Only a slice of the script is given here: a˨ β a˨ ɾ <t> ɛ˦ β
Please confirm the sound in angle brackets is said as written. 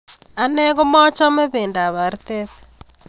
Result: yes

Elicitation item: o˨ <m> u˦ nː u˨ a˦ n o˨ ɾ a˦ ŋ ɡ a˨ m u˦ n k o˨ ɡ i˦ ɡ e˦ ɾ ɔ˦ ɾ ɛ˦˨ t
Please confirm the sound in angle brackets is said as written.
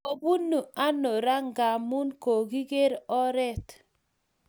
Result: no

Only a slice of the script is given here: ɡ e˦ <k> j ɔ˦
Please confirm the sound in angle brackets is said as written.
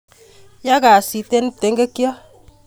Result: yes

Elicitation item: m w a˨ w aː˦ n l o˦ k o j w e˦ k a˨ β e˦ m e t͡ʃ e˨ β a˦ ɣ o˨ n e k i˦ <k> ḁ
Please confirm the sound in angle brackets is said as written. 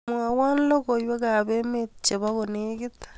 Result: no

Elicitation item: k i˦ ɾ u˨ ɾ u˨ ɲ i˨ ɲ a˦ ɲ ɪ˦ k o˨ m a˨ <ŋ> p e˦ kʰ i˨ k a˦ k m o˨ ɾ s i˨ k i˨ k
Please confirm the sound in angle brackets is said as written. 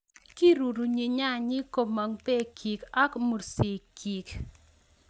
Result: yes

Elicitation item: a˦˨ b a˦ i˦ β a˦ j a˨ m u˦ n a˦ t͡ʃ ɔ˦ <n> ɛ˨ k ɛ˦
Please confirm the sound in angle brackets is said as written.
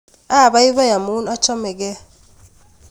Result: no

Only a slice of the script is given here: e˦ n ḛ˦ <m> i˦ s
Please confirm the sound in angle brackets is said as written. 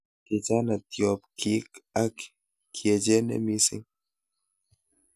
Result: yes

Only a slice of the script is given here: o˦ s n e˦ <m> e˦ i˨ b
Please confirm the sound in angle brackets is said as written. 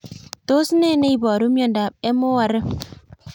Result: no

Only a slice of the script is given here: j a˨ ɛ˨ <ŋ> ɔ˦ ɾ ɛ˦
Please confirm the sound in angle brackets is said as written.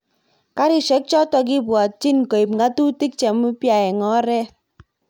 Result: yes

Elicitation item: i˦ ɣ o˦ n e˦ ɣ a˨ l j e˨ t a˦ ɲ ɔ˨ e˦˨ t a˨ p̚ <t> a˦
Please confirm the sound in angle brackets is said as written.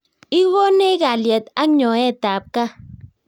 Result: no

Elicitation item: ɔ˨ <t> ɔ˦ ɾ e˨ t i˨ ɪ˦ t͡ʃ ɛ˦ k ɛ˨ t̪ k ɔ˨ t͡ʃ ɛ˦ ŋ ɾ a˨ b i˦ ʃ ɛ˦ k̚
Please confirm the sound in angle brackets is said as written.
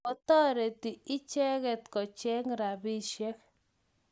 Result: yes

